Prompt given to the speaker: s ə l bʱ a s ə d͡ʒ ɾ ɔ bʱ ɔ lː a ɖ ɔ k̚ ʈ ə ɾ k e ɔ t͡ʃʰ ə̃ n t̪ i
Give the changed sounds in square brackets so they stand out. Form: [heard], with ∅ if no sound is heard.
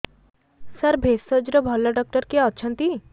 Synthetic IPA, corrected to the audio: s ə [ɾ] bʱ [e] s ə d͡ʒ ɾ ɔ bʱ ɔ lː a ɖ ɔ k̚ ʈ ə ɾ k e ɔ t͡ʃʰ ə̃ n t̪ i